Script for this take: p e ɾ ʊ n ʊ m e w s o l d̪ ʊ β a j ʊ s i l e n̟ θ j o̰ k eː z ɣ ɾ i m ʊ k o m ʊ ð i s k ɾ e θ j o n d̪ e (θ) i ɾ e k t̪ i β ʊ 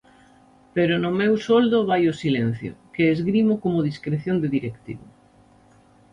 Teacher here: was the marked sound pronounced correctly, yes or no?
no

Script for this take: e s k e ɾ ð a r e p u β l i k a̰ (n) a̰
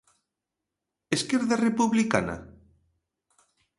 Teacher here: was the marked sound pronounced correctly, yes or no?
yes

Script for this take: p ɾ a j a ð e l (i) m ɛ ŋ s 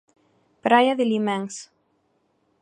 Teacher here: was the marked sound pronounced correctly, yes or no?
yes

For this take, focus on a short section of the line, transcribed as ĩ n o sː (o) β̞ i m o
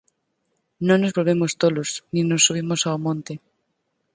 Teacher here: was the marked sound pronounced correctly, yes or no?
no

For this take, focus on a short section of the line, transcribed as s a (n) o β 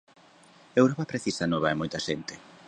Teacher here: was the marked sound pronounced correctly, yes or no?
yes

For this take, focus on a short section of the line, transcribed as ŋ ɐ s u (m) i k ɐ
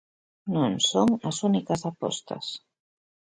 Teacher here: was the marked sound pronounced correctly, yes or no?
no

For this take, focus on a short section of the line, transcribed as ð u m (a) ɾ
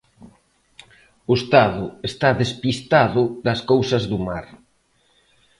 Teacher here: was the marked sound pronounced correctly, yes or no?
yes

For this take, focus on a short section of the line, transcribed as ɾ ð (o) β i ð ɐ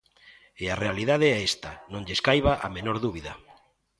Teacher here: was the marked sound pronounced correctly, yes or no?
no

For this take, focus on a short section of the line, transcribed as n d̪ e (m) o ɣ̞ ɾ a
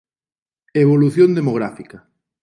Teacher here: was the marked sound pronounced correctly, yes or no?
yes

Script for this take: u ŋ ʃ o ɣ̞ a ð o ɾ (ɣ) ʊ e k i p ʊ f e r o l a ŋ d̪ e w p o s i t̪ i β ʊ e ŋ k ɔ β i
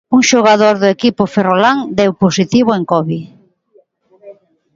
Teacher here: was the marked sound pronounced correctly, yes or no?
no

